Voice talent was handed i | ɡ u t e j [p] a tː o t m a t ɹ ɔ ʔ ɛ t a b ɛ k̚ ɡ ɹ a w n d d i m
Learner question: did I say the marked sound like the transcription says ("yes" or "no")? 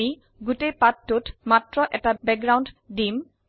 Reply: yes